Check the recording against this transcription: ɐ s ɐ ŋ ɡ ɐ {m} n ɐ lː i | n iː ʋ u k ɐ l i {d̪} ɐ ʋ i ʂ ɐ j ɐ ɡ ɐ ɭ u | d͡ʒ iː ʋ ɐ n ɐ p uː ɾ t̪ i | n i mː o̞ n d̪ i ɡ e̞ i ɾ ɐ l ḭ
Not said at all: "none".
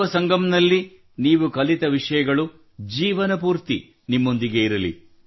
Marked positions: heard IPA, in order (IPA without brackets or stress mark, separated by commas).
m, t̪